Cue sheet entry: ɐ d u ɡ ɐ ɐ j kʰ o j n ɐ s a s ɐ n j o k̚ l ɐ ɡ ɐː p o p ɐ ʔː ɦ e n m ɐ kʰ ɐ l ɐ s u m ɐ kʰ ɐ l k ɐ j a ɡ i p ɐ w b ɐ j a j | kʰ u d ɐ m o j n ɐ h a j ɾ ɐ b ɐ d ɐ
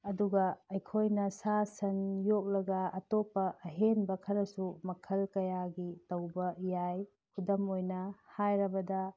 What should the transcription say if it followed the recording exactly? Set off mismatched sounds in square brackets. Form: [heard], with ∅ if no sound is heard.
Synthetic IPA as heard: ɐ d u ɡ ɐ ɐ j kʰ o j n ɐ s a s ɐ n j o k̚ l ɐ ɡ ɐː [t] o p ɐ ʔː ɦ e n [b] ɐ kʰ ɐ [ɾ] ɐ s u m ɐ kʰ ɐ l k ɐ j a ɡ i [t] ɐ w b ɐ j a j | kʰ u d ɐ m o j n ɐ h a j ɾ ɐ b ɐ d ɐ